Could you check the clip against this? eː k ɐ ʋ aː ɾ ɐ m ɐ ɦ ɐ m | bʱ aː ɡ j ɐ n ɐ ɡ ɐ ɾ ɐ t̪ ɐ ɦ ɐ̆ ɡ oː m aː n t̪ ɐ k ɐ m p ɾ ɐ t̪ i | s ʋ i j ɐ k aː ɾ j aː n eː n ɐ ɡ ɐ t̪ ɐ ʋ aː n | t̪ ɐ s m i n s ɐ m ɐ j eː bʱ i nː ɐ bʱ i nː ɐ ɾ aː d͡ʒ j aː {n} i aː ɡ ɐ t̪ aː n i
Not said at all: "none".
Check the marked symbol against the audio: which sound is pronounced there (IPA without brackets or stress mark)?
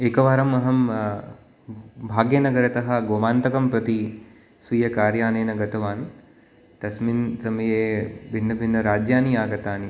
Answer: n